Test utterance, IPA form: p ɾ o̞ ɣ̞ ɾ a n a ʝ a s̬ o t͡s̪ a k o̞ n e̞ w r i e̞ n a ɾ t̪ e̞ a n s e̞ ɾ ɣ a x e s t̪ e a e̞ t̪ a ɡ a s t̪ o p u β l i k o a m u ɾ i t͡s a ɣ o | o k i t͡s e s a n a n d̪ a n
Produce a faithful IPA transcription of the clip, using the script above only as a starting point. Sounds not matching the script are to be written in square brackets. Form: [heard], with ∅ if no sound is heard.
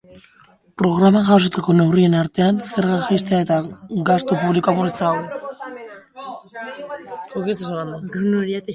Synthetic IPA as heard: p ɾ o̞ ɣ̞ ɾ a [m] a ʝ a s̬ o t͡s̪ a k o̞ n e̞ w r i e̞ n a ɾ t̪ e̞ a n s e̞ ɾ ɣ a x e s t̪ e a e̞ t̪ a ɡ a s t̪ o p u β l i k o a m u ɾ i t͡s a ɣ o | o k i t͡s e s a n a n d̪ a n